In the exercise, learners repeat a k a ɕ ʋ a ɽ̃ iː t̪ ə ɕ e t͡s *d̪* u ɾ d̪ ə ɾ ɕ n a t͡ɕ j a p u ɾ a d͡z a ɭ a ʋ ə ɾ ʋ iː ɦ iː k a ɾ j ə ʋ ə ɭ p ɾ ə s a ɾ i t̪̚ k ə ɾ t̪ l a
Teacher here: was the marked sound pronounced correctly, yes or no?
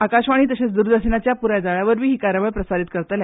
yes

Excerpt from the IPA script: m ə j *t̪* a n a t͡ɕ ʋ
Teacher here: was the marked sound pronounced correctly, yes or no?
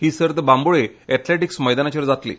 no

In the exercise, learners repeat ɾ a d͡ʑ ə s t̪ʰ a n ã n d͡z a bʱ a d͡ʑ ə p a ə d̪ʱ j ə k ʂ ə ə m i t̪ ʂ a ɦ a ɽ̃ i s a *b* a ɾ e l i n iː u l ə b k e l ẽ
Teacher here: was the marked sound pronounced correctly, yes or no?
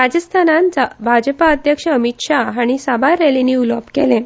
yes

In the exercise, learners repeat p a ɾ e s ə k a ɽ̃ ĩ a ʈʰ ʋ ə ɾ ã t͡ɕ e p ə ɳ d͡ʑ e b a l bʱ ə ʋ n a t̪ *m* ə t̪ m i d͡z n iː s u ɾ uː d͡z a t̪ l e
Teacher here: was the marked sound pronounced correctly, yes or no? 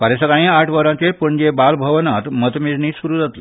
yes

